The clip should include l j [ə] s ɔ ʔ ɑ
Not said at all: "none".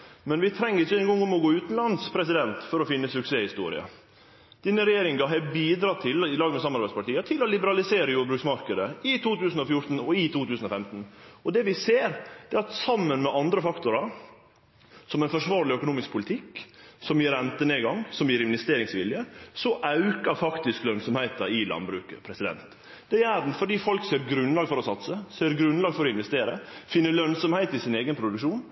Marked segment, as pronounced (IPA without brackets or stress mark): ə